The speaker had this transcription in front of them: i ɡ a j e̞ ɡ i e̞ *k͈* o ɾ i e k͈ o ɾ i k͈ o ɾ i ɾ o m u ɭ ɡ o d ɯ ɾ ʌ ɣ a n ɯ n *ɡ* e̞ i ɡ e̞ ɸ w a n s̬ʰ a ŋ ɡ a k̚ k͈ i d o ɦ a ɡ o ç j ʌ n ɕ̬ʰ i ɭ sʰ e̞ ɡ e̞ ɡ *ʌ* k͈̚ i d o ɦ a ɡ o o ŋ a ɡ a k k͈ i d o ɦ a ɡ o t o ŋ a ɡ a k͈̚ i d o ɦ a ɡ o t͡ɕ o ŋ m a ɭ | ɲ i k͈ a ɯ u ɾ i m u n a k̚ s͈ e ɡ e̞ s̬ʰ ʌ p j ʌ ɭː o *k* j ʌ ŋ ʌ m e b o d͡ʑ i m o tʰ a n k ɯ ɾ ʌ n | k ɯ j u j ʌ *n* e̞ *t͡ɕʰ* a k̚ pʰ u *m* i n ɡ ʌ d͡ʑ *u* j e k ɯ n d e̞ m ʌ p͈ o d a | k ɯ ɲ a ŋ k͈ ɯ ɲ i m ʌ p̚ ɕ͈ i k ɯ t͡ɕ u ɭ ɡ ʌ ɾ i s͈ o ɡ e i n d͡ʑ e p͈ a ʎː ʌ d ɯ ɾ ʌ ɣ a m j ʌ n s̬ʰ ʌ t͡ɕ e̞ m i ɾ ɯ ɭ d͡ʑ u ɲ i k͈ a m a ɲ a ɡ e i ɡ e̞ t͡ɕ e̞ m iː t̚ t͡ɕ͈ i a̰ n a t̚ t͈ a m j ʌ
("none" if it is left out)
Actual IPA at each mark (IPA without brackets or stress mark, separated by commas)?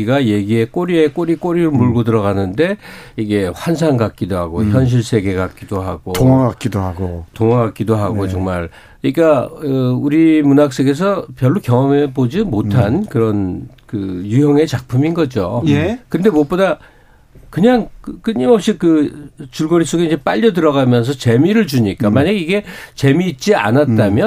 k͈, d, a, k, ŋ, t͡ɕ, m, o